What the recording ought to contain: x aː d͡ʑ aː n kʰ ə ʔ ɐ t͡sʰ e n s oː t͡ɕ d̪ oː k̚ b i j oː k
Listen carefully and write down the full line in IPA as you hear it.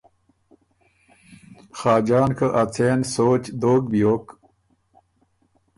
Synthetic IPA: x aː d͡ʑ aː n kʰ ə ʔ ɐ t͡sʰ e n s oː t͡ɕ d̪ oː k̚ b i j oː k